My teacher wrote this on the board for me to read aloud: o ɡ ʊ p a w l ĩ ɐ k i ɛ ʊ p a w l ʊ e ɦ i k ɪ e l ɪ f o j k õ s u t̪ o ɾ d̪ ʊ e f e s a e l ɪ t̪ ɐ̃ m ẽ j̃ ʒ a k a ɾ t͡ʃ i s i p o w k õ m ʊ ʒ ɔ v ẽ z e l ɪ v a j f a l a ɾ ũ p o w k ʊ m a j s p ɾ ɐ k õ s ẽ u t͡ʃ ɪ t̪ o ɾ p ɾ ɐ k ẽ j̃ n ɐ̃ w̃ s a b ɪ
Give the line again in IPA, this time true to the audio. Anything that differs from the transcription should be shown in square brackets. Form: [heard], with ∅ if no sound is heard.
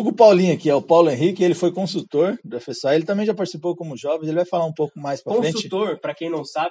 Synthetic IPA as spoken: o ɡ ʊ p a w l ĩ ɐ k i ɛ ʊ p a w l ʊ [ẽ] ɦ i k ɪ e l ɪ f o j k õ s u t̪ o ɾ d̪ ʊ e f e s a e l ɪ t̪ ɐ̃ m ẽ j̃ ʒ a [p] a ɾ t͡ʃ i s i p o w k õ m ʊ ʒ ɔ v ẽ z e l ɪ v a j f a l a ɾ ũ p o w k ʊ m a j s p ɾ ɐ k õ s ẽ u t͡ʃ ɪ t̪ o ɾ p ɾ ɐ k ẽ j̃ n ɐ̃ w̃ s a b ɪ